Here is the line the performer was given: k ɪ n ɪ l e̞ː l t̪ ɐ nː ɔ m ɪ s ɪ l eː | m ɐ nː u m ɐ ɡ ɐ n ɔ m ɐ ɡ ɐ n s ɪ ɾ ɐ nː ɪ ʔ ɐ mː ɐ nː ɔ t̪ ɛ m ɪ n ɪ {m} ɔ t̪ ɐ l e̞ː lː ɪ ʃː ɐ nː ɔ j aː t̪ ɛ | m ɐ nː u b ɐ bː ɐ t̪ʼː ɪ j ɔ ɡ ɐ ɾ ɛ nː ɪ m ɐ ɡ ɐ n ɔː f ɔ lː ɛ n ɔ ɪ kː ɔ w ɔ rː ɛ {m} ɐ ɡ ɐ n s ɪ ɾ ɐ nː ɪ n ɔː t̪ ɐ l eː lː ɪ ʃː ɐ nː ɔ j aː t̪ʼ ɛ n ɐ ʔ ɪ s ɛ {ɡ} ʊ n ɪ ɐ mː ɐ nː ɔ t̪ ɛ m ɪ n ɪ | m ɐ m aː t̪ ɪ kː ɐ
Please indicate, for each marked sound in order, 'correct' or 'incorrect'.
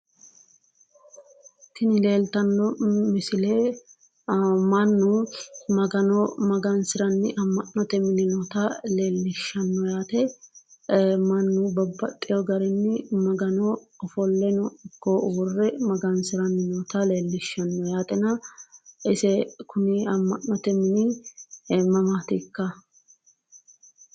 incorrect: n, correct, incorrect: k

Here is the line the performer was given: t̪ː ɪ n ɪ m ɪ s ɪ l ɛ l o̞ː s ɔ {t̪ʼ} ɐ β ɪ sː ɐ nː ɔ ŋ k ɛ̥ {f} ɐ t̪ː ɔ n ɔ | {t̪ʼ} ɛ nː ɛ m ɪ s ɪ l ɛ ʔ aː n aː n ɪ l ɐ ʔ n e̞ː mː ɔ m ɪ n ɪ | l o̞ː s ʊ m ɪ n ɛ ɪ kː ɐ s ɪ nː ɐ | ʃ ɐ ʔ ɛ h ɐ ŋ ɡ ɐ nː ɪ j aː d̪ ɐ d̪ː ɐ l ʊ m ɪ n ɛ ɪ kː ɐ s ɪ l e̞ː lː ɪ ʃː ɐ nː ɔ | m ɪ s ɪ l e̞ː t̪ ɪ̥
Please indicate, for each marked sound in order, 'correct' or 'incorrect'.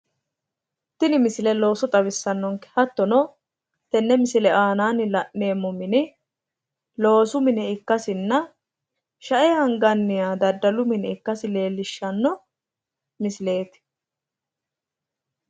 correct, incorrect: h, incorrect: t̪

